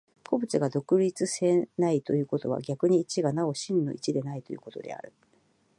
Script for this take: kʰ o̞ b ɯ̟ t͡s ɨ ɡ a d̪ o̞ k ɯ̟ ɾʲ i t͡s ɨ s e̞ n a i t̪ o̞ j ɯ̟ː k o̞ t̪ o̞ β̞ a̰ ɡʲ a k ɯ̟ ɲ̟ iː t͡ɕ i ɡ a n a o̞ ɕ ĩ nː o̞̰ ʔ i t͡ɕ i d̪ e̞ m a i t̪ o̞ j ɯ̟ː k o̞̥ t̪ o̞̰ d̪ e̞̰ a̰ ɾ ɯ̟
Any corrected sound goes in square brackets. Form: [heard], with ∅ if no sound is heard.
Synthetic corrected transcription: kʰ o̞ b ɯ̟ t͡s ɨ ɡ a d̪ o̞ k ɯ̟ ɾʲ i t͡s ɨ s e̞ n a i t̪ o̞ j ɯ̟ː k o̞ t̪ o̞ β̞ a̰ ɡʲ a k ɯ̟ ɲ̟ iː t͡ɕ i ɡ a n a o̞ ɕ ĩ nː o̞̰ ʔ i t͡ɕ i d̪ e̞ [n] a i t̪ o̞ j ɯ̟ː k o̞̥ t̪ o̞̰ d̪ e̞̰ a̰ ɾ ɯ̟